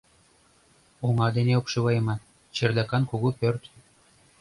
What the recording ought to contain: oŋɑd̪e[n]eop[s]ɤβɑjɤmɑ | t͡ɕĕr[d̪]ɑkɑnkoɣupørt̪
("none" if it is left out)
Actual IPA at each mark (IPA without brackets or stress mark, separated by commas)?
n, ʃ, d̪